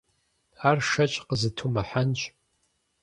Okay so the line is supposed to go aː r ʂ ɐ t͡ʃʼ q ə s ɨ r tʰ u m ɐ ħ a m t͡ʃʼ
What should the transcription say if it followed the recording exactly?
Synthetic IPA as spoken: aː r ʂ ɐ t͡ʃʼ q ə z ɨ tʰ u m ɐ ħ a n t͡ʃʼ